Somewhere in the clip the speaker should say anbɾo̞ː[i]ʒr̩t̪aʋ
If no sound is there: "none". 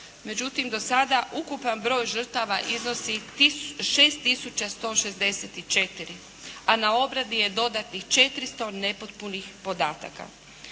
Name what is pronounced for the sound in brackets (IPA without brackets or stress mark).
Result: j